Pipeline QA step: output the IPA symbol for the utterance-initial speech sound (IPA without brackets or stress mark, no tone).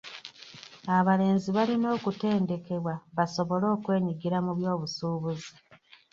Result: a